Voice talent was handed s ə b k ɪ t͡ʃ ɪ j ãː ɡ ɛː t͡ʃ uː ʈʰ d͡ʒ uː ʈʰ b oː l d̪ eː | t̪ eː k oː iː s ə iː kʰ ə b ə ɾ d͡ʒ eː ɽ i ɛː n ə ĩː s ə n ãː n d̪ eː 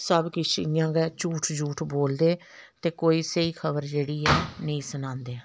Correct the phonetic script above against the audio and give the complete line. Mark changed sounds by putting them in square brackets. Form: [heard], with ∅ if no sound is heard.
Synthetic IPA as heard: s ə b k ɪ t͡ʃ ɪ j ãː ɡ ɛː t͡ʃ uː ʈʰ d͡ʒ uː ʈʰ b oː l d̪ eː | t̪ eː k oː iː s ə iː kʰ ə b ə ɾ d͡ʒ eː ɽ [iː] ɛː n ə ĩː s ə n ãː n d̪ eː